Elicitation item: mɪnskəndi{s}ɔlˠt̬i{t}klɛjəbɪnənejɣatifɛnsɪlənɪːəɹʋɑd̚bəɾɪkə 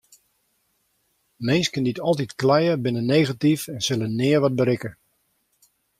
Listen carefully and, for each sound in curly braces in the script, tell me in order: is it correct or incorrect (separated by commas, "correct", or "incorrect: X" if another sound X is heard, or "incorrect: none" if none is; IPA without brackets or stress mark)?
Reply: incorrect: t, correct